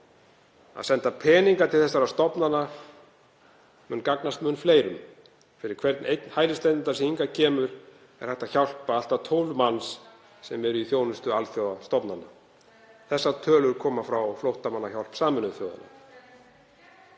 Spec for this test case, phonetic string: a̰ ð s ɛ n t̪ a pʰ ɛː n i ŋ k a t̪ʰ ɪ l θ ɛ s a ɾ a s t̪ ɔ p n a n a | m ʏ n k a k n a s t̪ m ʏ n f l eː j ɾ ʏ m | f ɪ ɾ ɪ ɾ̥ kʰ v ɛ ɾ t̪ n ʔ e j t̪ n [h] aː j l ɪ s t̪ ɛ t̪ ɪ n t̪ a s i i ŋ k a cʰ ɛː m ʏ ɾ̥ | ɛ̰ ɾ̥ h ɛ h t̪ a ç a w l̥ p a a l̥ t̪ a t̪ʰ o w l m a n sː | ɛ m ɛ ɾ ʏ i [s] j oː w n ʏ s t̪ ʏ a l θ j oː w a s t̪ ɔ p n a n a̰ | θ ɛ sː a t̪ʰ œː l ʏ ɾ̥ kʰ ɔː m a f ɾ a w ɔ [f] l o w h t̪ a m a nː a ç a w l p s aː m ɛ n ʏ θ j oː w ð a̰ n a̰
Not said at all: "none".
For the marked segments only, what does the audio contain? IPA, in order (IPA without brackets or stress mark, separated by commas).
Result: h, θ, f